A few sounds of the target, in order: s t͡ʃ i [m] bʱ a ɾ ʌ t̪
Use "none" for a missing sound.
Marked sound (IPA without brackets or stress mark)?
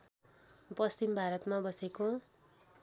m